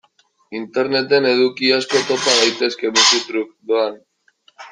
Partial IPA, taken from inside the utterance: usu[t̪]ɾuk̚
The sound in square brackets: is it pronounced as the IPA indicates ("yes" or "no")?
yes